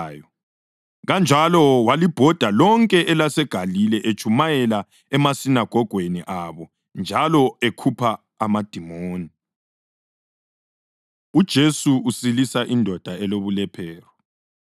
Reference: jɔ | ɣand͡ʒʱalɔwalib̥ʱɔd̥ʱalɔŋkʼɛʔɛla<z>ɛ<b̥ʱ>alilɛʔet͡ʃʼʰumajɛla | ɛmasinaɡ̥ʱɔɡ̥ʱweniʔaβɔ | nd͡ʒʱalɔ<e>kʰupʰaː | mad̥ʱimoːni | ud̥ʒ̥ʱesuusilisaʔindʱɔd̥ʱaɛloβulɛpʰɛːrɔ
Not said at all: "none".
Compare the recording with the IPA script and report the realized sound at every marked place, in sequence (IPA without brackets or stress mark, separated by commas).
s, ɡ̥ʱ, e